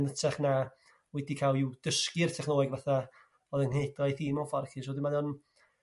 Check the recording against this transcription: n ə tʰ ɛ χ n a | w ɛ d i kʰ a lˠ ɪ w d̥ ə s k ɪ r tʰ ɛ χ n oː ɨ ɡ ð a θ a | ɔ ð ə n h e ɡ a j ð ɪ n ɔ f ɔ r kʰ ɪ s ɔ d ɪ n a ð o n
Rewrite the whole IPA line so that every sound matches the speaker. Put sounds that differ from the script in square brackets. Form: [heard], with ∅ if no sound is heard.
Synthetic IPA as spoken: n ə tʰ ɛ χ n a | w ɛ d i kʰ a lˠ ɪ w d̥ ə s k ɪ r tʰ ɛ χ n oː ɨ ɡ [v] a θ a | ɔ ð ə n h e [d] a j [θ] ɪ [m] ɔ f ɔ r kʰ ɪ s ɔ d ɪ [m] a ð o n